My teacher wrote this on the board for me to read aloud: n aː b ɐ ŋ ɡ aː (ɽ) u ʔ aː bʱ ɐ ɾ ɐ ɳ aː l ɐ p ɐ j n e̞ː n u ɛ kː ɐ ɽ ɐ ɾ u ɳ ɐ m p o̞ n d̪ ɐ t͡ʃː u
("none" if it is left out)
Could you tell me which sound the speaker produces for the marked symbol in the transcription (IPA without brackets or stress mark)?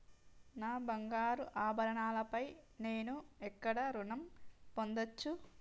ɾ